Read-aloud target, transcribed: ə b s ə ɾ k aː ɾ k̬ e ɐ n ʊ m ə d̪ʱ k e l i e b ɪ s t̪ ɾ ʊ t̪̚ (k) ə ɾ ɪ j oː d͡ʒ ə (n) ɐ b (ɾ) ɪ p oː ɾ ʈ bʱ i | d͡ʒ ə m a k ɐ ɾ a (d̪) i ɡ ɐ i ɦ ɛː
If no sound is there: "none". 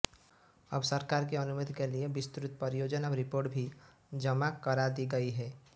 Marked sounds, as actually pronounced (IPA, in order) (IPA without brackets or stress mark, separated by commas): p, n, ɾ, d̪